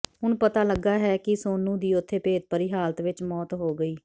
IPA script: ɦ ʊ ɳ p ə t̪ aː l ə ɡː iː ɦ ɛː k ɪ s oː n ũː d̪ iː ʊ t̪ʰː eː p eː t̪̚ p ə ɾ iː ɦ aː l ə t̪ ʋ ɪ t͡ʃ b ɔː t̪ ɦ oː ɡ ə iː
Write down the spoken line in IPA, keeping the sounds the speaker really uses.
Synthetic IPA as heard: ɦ ʊ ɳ p ə t̪ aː l ə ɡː aː ɦ ɛː k ɪ s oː n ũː d̪ iː ʊ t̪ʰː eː p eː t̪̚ p ə ɾ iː ɦ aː l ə t̪ ʋ ɪ t͡ʃ m ɔː t̪ ɦ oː ɡ ə iː